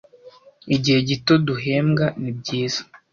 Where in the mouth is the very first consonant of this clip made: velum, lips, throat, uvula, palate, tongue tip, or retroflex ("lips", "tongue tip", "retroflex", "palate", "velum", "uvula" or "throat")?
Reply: palate